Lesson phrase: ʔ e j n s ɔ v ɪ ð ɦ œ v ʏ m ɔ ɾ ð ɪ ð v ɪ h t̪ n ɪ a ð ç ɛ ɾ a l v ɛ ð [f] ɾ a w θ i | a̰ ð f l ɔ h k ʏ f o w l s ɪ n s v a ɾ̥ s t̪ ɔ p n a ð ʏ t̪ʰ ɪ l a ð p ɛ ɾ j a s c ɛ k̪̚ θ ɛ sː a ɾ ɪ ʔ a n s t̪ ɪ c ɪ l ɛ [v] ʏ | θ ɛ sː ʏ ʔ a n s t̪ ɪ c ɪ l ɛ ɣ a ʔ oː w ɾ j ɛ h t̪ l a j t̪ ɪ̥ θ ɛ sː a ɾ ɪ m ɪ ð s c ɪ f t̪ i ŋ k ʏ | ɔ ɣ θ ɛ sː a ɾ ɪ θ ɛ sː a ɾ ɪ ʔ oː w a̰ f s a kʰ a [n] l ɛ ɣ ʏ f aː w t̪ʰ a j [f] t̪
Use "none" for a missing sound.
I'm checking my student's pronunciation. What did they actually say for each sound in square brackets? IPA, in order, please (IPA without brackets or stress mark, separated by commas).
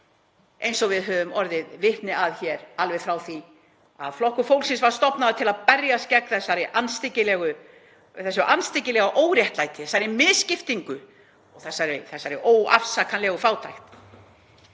f, ɣ, n, x